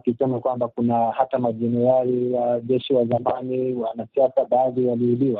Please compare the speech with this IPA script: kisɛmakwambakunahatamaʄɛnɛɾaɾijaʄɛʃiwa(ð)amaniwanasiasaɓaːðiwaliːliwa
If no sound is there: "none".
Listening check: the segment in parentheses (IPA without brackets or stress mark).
z